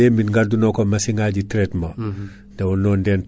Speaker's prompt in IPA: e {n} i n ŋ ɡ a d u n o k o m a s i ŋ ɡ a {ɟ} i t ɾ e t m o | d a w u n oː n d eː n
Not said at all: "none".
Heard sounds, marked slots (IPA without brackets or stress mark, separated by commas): m, ɟ